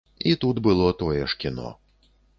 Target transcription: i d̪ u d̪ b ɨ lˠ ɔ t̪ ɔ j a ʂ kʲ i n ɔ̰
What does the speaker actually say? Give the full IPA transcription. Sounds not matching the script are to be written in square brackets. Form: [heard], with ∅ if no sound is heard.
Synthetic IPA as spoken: i [t̪] u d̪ b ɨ lˠ ɔ t̪ ɔ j [ɛ] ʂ kʲ i n ɔ̰